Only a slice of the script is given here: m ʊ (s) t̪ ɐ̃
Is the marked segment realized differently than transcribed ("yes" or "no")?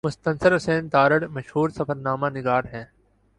no